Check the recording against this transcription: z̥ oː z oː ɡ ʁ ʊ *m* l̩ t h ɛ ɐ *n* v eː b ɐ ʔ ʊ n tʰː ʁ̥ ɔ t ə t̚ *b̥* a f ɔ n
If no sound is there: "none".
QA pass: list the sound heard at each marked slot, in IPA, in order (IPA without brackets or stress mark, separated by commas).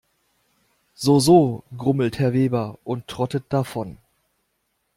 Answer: m, none, d̥